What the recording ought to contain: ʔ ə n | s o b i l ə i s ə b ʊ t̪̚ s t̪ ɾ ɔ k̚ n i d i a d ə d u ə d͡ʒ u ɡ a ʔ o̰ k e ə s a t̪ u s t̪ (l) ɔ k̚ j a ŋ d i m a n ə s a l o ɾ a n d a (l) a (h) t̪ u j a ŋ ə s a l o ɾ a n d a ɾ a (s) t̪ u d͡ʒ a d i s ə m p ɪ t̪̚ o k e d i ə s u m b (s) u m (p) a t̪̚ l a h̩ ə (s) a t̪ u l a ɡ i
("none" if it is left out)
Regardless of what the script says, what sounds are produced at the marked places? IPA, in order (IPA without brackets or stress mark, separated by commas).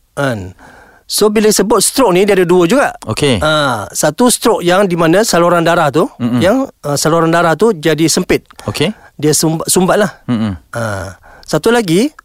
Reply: ɾ, ɾ, h, h, s, b, s